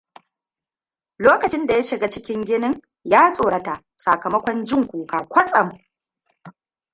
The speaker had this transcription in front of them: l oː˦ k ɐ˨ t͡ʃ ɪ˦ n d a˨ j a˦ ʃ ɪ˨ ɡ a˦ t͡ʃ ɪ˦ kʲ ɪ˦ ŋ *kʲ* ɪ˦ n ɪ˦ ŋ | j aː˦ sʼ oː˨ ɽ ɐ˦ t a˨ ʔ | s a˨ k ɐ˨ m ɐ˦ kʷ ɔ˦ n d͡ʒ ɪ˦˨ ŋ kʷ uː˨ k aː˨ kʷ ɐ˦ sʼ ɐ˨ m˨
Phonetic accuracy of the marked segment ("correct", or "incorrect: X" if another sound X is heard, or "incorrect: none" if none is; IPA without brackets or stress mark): incorrect: ɡʲ